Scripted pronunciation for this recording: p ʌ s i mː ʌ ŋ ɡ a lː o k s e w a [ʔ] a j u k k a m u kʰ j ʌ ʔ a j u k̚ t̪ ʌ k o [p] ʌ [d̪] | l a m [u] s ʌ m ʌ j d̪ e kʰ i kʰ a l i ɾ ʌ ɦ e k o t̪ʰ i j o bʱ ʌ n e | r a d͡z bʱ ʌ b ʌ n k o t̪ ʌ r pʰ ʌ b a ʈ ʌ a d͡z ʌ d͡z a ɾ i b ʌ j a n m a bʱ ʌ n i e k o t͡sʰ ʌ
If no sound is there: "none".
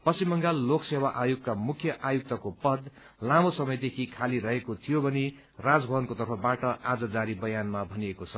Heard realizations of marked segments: ʔ, p, d̪, o

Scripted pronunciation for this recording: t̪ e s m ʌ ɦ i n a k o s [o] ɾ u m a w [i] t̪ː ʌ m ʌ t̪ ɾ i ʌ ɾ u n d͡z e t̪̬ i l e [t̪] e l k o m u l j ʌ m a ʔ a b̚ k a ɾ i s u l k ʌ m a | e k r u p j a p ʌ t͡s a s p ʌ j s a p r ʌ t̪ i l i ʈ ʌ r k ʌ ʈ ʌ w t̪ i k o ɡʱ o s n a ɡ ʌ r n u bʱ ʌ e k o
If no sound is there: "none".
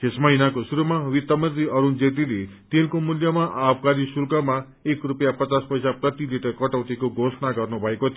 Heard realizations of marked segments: u, i, t̪

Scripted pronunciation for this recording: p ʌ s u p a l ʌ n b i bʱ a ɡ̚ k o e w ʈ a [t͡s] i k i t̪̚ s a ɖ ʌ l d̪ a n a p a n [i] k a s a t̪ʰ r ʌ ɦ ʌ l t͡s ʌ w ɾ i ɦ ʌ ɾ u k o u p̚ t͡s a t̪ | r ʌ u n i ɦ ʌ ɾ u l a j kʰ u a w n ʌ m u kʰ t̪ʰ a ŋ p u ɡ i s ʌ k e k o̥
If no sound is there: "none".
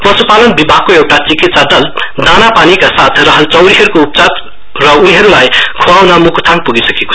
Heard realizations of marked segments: t͡s, i

